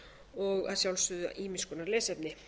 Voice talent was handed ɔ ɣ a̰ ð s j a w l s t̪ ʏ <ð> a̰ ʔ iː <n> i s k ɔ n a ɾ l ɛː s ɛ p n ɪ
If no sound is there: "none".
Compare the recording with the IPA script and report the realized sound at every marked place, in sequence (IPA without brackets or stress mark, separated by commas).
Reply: ð, m